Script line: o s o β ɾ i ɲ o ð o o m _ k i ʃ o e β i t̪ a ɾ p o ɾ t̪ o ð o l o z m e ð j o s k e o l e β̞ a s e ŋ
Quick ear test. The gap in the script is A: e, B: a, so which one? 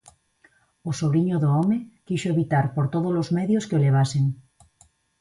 A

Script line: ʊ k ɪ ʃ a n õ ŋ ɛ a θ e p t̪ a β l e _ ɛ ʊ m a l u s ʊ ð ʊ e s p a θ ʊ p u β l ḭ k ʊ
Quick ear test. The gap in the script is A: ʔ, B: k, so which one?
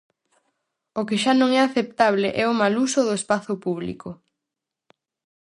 A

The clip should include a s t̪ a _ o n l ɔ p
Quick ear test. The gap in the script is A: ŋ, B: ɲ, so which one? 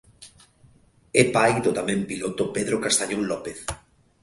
B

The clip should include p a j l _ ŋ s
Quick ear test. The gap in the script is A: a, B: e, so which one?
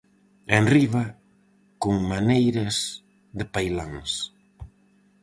A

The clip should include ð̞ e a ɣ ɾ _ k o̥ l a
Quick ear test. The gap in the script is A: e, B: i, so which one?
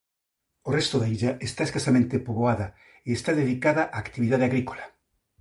B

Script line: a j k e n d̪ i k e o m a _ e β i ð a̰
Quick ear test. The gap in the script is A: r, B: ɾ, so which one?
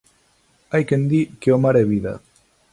B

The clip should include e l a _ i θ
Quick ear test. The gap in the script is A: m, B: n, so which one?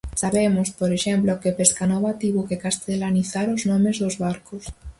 B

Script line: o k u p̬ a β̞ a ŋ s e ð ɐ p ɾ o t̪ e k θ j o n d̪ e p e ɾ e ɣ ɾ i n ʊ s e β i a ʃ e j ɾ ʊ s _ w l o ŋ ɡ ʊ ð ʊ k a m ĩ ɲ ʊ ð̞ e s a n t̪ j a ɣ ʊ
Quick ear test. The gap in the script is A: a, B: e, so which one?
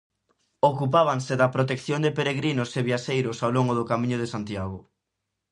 A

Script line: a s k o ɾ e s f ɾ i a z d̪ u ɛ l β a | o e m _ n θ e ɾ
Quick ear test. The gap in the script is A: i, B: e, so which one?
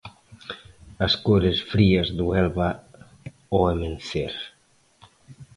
B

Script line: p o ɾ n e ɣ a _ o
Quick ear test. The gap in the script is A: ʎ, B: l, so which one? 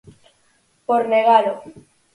B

